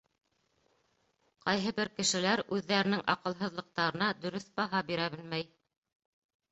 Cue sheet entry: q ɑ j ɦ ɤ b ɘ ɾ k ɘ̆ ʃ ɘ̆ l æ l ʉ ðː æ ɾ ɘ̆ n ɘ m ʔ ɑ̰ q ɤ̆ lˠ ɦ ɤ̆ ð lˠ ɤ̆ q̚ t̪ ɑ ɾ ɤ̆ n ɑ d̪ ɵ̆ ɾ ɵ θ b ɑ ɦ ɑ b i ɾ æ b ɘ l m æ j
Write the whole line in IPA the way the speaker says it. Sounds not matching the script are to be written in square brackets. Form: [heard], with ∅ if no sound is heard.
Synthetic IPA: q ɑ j ɦ ɤ b ɘ ɾ k ɘ̆ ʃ ɘ̆ l æ [ɾ] ʉ ðː æ ɾ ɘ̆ n ɘ [ŋ] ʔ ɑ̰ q ɤ̆ lˠ ɦ ɤ̆ ð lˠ ɤ̆ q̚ t̪ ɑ ɾ ɤ̆ n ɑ d̪ ɵ̆ ɾ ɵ θ b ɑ ɦ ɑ b i ɾ æ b ɘ l m æ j